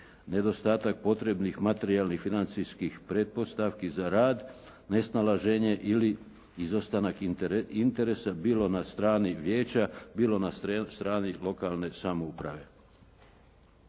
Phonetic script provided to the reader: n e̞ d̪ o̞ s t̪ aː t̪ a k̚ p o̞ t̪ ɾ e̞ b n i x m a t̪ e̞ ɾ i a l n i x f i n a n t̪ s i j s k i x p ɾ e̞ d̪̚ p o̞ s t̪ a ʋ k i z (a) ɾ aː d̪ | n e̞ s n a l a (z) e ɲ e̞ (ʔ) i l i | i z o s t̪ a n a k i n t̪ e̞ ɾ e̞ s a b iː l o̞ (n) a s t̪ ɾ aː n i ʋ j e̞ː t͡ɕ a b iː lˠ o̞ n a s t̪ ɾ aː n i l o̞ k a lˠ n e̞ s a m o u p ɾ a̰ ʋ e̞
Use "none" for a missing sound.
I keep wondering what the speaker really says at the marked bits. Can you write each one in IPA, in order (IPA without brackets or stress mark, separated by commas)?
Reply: a, ʒ, ʔ, n